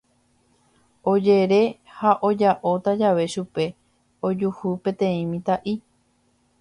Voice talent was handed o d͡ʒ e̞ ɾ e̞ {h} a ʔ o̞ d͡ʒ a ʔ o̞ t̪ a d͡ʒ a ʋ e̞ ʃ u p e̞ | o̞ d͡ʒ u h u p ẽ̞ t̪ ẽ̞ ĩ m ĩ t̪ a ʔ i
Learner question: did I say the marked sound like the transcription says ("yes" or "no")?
yes